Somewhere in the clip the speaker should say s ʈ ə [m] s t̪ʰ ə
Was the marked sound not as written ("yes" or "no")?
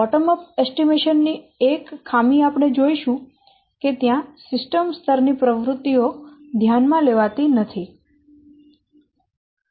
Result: no